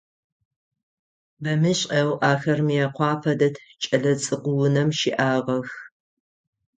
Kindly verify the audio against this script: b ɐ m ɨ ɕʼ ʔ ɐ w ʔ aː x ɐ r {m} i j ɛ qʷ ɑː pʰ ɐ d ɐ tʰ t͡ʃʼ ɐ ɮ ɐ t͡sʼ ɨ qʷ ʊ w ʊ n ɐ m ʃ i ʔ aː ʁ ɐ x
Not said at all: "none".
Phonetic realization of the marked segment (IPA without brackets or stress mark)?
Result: m